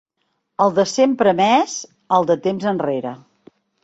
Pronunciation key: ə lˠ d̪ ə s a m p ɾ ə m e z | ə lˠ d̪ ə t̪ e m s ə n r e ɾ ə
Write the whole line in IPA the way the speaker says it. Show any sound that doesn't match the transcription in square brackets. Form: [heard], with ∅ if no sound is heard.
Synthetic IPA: ə lˠ d̪ ə s [e] m p ɾ ə m [ɛ] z | ə lˠ d̪ ə t̪ e m [z] ə n r e ɾ ə